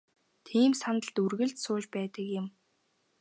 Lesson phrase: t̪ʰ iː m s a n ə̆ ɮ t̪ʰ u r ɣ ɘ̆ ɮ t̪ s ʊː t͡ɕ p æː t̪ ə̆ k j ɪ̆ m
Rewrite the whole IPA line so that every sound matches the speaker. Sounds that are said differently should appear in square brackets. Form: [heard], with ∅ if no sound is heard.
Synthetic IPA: t̪ʰ iː m s a n ə̆ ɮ [t̪] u r ɣ ɘ̆ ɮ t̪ s ʊː t͡ɕ p æː t̪ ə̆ k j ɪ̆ m